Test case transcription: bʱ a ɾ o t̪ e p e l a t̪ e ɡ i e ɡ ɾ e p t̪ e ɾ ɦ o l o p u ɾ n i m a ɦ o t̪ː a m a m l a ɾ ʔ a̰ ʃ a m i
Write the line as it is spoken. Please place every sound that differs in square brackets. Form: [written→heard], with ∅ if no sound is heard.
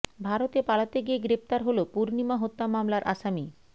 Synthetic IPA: bʱ a ɾ o t̪ e p [e→a] l a t̪ e ɡ i e ɡ ɾ e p t̪ [e→a] ɾ ɦ o l o p u ɾ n i m a ɦ o t̪ː a m a m l a ɾ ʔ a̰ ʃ a m i